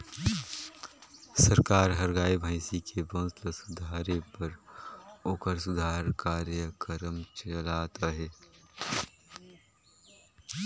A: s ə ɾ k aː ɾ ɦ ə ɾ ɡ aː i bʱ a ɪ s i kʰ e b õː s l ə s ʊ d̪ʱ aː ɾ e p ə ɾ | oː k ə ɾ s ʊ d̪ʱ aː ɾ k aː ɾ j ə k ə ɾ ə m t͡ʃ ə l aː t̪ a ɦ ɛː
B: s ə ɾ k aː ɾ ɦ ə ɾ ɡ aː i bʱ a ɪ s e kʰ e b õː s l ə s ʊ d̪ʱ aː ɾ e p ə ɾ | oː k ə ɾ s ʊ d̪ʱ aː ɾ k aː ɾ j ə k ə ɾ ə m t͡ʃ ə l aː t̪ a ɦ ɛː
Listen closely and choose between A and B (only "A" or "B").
A